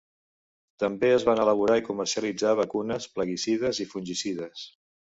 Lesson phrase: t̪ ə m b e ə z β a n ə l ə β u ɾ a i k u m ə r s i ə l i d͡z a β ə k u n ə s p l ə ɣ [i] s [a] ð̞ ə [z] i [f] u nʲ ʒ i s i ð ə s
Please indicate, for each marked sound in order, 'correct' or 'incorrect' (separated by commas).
correct, incorrect, correct, correct